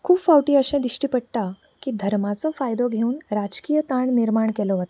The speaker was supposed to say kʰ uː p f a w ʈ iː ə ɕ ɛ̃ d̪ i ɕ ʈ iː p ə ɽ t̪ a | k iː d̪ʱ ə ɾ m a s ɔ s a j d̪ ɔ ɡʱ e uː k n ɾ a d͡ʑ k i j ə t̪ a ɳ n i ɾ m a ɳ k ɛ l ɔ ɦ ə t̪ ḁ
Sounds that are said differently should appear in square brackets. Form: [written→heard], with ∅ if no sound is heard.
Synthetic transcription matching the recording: kʰ uː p f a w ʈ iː ə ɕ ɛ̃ d̪ i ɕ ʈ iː p ə ɽ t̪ a | k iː d̪ʱ ə ɾ m a [s→t͡s] ɔ [s→f] a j d̪ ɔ ɡʱ e uː [k→∅] n ɾ a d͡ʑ k i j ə t̪ a ɳ n i ɾ m a ɳ k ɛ l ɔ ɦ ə t̪ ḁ